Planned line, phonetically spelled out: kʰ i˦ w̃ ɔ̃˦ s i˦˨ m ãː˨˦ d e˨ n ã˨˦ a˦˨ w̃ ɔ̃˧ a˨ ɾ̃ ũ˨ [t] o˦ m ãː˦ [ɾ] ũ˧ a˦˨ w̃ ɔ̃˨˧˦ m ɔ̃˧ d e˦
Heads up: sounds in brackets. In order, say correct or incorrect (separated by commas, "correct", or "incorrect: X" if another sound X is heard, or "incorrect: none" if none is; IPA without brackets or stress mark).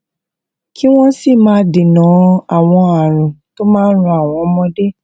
correct, correct